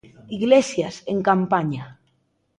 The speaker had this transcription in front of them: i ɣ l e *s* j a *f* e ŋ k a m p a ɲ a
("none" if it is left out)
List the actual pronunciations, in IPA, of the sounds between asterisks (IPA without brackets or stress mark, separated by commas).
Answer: s, s